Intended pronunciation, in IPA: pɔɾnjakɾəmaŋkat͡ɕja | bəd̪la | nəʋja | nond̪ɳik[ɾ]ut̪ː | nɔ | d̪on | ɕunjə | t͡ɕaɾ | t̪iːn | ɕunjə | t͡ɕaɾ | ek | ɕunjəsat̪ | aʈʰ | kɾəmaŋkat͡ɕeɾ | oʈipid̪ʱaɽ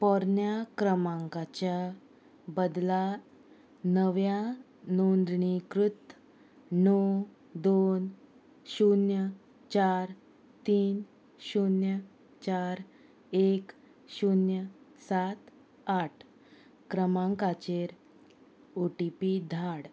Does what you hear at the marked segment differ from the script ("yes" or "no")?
no